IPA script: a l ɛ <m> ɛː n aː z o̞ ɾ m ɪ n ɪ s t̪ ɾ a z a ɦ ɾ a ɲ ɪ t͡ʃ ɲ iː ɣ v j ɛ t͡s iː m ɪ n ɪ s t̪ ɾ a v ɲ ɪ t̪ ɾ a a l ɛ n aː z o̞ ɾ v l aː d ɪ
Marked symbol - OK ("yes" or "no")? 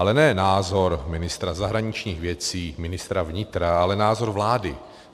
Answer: no